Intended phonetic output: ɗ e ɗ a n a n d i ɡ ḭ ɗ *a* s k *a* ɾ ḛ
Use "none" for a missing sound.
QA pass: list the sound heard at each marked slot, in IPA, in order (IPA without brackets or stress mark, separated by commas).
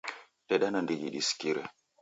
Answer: i, i